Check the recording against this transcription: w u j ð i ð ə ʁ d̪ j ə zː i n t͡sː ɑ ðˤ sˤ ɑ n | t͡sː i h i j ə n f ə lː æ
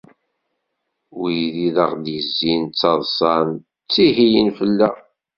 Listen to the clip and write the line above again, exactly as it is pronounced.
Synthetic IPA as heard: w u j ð i ð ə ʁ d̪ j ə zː i n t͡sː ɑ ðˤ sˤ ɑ n | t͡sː i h i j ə n f ə lː æ